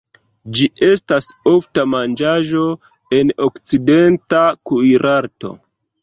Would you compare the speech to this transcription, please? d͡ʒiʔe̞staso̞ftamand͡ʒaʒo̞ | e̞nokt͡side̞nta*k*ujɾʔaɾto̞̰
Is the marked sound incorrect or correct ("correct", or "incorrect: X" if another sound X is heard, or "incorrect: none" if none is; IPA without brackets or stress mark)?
correct